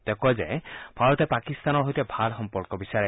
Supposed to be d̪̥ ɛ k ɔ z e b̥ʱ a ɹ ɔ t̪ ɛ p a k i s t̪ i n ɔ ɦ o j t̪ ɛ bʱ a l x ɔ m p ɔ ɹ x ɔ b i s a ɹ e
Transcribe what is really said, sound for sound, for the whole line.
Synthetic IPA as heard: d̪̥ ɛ k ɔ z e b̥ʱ a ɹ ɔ t̪ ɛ p a k i s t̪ a n ɔ ɦ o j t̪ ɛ bʱ a l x ɔ m p ɔ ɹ k ɔ b i s a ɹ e